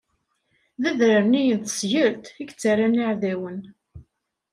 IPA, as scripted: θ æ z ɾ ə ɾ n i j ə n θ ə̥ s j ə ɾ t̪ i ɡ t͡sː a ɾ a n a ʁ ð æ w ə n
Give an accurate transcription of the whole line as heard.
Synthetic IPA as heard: ð æ ð ɾ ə ɾ n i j ə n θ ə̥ s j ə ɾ t̪ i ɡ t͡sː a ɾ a n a ʕ ð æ w ə n